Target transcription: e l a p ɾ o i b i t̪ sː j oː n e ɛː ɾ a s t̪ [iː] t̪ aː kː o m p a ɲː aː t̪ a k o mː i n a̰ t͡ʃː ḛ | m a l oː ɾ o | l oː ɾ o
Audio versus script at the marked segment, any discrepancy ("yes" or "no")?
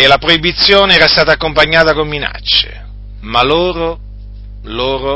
yes